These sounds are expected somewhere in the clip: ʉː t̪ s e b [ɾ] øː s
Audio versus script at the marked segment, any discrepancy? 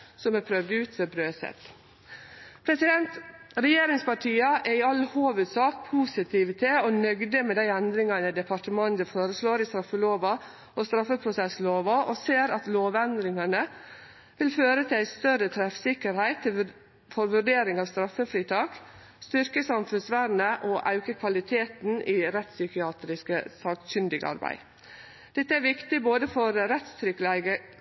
no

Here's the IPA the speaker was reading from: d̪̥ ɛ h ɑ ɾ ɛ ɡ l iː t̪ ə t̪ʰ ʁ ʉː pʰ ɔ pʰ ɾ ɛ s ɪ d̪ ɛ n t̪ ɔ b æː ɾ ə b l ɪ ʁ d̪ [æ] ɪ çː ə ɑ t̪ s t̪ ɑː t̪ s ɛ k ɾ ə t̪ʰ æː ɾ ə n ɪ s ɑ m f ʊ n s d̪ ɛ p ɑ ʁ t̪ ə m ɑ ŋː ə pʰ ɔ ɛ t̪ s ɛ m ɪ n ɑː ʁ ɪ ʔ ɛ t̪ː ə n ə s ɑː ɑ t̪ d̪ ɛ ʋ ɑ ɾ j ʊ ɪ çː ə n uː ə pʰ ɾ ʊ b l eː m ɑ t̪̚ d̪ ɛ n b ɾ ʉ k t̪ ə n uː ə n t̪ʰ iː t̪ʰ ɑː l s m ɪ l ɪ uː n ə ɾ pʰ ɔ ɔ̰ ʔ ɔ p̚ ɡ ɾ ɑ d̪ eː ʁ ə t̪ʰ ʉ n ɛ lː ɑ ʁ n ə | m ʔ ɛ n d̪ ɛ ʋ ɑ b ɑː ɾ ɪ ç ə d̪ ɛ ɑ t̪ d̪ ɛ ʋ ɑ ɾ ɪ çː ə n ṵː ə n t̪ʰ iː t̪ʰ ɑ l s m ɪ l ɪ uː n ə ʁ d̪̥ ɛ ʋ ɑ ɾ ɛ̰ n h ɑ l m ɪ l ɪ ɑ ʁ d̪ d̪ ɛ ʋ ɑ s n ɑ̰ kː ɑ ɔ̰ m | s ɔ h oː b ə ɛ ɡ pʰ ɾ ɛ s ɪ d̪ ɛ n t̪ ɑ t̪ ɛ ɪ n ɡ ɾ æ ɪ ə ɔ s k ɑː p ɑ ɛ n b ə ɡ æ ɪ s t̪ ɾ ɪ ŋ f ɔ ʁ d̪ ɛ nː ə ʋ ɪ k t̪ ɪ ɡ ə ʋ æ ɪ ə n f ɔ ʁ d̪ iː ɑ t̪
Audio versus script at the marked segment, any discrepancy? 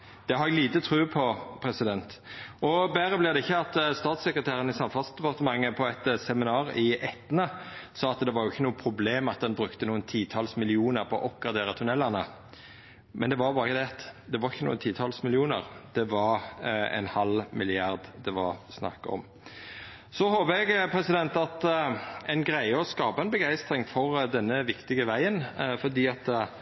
yes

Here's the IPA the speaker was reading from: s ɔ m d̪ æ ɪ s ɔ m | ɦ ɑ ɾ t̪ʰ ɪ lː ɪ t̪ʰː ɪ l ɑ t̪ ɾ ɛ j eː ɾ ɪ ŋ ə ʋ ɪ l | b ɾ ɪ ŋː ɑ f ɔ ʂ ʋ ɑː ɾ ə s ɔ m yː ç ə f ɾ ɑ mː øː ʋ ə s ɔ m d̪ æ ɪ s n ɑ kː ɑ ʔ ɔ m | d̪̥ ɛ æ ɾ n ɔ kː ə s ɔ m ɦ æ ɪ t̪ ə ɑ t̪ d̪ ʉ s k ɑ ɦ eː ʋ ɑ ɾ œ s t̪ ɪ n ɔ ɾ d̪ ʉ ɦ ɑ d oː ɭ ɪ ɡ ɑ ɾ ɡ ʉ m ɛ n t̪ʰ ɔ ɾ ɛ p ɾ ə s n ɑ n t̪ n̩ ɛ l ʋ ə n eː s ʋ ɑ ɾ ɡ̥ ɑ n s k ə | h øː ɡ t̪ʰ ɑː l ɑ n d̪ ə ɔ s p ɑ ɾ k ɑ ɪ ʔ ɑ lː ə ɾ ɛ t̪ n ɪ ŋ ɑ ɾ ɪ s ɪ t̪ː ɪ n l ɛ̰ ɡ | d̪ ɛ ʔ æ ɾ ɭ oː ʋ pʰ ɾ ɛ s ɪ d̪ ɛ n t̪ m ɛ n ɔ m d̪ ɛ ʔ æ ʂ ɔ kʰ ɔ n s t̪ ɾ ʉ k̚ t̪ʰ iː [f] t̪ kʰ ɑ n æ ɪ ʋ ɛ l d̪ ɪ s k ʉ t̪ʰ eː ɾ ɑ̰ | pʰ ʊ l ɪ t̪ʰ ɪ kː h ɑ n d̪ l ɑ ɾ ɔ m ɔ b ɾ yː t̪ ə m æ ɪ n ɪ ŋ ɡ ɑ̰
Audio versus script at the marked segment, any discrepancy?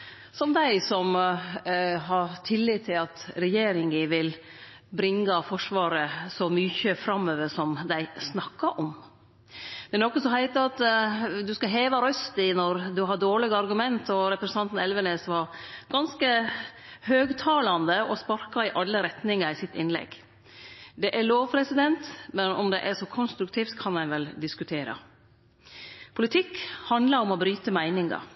no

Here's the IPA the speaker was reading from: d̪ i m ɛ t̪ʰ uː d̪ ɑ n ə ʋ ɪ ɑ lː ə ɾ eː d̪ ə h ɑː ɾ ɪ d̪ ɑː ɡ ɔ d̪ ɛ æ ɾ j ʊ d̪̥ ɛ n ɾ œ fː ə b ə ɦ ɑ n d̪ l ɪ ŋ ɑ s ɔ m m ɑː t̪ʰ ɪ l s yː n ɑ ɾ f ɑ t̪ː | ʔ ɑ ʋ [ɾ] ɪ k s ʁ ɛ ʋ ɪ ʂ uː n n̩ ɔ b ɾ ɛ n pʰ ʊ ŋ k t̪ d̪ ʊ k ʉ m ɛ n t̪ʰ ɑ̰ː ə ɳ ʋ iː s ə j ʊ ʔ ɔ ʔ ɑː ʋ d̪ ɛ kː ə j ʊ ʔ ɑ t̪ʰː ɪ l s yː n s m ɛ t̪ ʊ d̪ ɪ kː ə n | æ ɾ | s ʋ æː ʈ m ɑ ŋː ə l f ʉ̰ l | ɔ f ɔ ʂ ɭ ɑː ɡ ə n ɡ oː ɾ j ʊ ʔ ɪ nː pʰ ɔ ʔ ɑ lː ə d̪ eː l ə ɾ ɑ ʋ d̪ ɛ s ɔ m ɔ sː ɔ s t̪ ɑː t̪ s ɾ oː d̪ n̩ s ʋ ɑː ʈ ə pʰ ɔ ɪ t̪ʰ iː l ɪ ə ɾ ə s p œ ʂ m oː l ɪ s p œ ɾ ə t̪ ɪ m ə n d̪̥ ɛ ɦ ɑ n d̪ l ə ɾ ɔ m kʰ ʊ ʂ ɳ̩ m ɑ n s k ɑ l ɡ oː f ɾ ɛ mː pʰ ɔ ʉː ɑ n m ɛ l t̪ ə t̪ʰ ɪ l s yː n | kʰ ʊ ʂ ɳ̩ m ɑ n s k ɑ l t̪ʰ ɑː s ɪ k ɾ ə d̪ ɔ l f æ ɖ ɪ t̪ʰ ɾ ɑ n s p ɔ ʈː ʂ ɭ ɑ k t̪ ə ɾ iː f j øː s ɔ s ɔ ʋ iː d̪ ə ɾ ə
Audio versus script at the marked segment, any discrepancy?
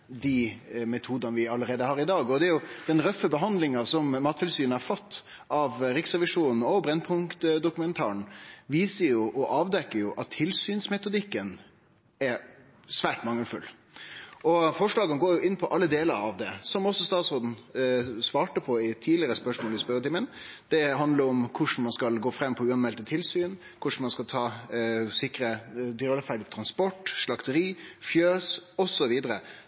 no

